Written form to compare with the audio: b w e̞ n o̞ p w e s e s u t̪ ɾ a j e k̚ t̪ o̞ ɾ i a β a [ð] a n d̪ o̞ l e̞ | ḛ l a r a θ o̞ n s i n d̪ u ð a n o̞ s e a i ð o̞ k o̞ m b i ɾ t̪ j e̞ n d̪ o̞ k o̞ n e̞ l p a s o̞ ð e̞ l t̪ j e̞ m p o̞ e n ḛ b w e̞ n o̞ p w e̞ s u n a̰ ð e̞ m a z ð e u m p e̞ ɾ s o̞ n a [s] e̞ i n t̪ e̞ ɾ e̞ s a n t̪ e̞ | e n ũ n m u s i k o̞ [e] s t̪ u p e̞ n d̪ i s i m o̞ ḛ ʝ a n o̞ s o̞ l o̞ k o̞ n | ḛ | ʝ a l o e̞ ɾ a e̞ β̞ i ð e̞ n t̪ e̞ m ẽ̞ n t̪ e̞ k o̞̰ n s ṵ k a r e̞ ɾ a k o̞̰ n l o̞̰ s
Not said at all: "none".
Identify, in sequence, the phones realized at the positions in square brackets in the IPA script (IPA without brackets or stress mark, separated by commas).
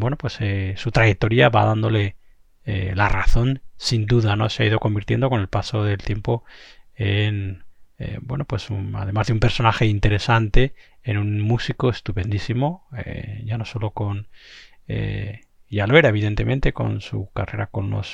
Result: ð, x, e